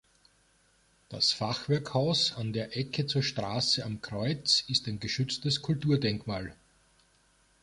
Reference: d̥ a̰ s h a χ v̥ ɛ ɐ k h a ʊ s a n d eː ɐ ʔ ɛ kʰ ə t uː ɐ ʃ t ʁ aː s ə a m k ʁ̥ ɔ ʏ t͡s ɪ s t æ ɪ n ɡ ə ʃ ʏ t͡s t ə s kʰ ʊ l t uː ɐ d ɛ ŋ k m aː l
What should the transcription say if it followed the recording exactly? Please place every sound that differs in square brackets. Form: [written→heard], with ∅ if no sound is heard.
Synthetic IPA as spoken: d̥ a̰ s [h→f] a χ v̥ ɛ ɐ k h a ʊ s a n d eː ɐ ʔ ɛ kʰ ə [t→t͡s] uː ɐ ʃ t ʁ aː s ə a m k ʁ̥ ɔ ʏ t͡s ɪ s t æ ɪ n ɡ ə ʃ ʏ t͡s t ə s kʰ ʊ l t uː ɐ d ɛ ŋ k m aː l

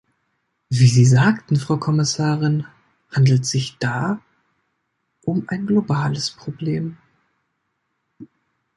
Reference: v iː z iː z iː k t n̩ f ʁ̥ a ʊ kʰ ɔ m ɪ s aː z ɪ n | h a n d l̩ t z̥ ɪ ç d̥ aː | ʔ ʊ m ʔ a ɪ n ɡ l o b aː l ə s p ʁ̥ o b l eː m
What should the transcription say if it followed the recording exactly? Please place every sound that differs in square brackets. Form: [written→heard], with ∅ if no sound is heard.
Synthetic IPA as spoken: v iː z iː z [iː→aː] k t n̩ f ʁ̥ a ʊ kʰ ɔ m ɪ s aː [z→ʁ] ɪ n | h a n d l̩ t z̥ ɪ ç d̥ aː | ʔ ʊ m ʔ a ɪ n ɡ l o b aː l ə s p ʁ̥ o b l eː m

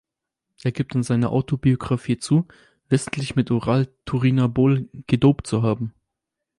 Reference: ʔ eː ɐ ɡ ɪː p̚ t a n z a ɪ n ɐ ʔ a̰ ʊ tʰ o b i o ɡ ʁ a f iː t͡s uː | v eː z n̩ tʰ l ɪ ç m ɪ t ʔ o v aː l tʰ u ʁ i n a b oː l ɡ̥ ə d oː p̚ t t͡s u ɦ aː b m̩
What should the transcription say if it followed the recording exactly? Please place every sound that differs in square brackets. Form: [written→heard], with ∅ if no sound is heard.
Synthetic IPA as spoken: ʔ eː ɐ ɡ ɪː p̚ t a n z a ɪ n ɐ ʔ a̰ ʊ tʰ o b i o ɡ ʁ a f iː t͡s uː | v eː z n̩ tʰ l ɪ ç m ɪ t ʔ o [v→ʁ] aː l tʰ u ʁ i n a b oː l ɡ̥ ə d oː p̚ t t͡s u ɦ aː b m̩

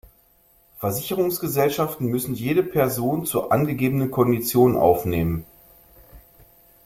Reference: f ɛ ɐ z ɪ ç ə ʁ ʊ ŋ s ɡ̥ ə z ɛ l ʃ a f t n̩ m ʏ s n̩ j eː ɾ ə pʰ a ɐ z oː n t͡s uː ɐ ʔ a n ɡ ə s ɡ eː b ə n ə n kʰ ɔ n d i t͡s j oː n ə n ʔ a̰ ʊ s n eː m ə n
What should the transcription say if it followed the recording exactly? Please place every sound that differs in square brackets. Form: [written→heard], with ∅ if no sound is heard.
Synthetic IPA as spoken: f ɛ ɐ z ɪ ç ə ʁ ʊ ŋ s ɡ̥ ə z ɛ l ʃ a f t n̩ m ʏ s n̩ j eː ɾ ə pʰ [a→ɛ] ɐ z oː n t͡s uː ɐ ʔ a n ɡ ə [s→∅] ɡ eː b ə n ə n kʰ ɔ n d i t͡s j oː n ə n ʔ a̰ ʊ [s→f] n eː m ə n

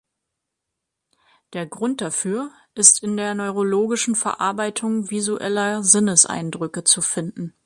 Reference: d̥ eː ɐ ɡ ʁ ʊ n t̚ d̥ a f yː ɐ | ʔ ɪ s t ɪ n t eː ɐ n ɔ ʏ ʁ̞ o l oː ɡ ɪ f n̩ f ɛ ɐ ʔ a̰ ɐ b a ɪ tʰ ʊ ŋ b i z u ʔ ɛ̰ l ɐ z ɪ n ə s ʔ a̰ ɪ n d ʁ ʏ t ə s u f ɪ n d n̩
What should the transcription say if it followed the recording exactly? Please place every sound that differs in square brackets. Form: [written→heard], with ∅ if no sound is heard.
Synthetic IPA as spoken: d̥ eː ɐ ɡ ʁ ʊ n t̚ d̥ a f yː ɐ | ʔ ɪ s t ɪ n [t→d] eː ɐ n ɔ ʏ ʁ̞ o l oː ɡ ɪ [f→ʃ] n̩ f ɛ ɐ ʔ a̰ ɐ b a ɪ tʰ ʊ ŋ [b→v] i z u ʔ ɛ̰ l ɐ z ɪ n ə s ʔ a̰ ɪ n d ʁ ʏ [t→k] ə [s→t͡s] u f ɪ n d n̩

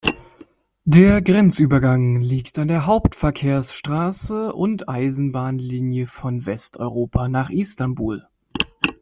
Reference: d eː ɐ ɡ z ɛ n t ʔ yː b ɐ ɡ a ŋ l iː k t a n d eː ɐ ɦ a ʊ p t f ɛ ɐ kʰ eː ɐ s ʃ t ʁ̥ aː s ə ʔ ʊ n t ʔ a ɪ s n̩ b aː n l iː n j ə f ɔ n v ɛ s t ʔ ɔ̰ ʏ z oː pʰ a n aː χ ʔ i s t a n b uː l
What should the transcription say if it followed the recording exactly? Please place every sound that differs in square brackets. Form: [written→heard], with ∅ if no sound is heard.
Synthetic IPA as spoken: d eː ɐ ɡ [z→ʁ] ɛ n [t→t͡s] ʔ yː b ɐ ɡ a ŋ l iː k t a n d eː ɐ ɦ a ʊ p t f ɛ ɐ kʰ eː ɐ s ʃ t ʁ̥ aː s ə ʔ ʊ n t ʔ a ɪ [s→z] n̩ b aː n l iː n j ə f ɔ n v ɛ s t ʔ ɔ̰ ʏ [z→ʁ] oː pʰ a n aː χ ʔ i s t a n b uː l

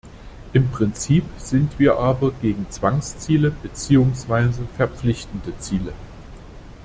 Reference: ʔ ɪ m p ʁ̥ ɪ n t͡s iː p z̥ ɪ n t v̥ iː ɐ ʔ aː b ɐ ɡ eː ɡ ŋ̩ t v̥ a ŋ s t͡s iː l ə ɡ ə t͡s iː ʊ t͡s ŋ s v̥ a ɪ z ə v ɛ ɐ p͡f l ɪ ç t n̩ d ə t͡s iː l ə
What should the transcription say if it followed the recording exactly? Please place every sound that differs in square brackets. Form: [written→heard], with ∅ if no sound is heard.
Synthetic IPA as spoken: ʔ ɪ m p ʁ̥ ɪ n t͡s iː p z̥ ɪ n t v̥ iː ɐ ʔ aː b ɐ ɡ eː ɡ ŋ̩ [t→t͡s] v̥ a ŋ s t͡s iː l ə [ɡ→b] ə t͡s iː ʊ [t͡s→∅] ŋ s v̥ a ɪ z ə [v→f] ɛ ɐ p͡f l ɪ ç t n̩ d ə t͡s iː l ə

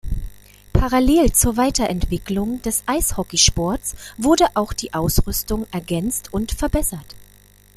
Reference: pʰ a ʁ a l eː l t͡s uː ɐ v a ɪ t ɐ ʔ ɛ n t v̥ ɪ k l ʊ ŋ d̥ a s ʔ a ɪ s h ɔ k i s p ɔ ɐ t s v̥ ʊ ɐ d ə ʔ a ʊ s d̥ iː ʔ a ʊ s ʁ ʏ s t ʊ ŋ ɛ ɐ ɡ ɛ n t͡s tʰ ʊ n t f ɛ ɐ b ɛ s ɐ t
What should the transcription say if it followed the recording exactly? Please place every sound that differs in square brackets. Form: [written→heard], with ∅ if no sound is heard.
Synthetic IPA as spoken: pʰ a ʁ a l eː l t͡s uː ɐ v a ɪ t ɐ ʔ ɛ n t v̥ ɪ k l ʊ ŋ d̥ [a→ɛ] s ʔ a ɪ s h ɔ k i [s→ʃ] p ɔ ɐ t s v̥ ʊ ɐ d ə ʔ a ʊ [s→x] d̥ iː ʔ a ʊ s ʁ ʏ s t ʊ ŋ ɛ ɐ ɡ ɛ n t͡s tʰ ʊ n t f ɛ ɐ b ɛ s ɐ t

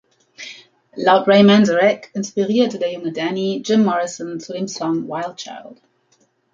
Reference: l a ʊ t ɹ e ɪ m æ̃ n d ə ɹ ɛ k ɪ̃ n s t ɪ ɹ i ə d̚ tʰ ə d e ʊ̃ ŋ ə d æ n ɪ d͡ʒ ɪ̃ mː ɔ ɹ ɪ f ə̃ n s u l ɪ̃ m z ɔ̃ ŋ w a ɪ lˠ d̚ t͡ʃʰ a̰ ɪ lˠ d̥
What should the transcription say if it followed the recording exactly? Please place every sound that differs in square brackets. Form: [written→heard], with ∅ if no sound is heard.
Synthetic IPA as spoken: l a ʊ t ɹ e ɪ m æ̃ n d ə ɹ ɛ k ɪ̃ n s [t→p] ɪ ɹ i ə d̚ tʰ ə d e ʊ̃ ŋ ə d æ n [ɪ→i] d͡ʒ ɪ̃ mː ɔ ɹ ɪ [f→s] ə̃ n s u l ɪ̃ m [z→s] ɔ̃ ŋ w a ɪ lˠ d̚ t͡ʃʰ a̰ ɪ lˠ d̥

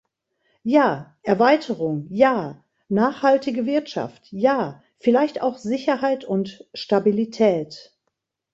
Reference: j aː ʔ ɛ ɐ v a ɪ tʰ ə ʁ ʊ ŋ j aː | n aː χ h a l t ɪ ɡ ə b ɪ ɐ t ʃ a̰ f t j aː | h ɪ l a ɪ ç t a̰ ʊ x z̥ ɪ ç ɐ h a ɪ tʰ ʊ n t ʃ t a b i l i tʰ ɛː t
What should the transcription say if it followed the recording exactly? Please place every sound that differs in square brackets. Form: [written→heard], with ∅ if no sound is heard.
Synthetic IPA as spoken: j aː ʔ ɛ ɐ v a ɪ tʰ ə ʁ ʊ ŋ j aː | n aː χ h a l t ɪ ɡ ə [b→v] ɪ ɐ t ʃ a̰ f t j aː | [h→f] ɪ l a ɪ ç t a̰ ʊ x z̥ ɪ ç ɐ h a ɪ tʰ ʊ n t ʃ t a b i l i tʰ ɛː t

